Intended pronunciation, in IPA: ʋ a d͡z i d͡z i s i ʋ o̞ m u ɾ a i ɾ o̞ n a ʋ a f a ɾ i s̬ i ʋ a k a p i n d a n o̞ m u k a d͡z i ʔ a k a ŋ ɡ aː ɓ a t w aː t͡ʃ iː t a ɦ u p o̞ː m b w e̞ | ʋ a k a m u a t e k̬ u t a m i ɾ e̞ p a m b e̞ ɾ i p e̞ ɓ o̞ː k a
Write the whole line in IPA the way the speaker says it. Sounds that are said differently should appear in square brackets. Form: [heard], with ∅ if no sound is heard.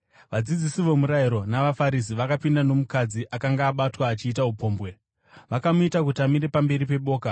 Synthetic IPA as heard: ʋ a d͡z i d͡z i s i ʋ o̞ m u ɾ a i ɾ o̞ n a ʋ a f a ɾ i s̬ i ʋ a k a p i n d a n o̞ m u k a d͡z i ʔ a k a ŋ ɡ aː ɓ a t w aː t͡ʃ iː t a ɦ u p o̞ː m b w e̞ | ʋ a k a m u [i] t [a] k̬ u t a m i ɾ e̞ p a m b e̞ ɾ i p e̞ ɓ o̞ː k a